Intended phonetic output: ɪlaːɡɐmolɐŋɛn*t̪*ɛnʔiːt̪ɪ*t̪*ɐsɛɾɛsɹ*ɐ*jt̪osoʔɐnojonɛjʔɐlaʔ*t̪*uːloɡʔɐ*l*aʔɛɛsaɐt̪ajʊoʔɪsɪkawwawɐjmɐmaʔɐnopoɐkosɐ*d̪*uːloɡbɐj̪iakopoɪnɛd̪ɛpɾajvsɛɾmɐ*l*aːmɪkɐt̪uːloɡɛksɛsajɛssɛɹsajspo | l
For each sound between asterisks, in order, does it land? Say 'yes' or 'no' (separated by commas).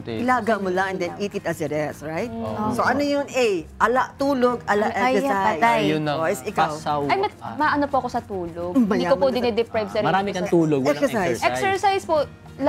no, yes, no, yes, yes, no, no